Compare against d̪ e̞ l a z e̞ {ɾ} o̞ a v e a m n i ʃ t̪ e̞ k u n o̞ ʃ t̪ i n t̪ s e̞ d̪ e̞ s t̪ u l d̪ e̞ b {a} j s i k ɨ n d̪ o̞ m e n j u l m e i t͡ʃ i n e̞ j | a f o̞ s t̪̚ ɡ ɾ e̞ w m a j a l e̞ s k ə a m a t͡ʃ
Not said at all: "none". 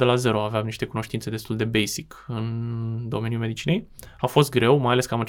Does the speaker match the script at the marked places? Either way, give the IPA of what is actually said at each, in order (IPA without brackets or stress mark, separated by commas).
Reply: ɾ, e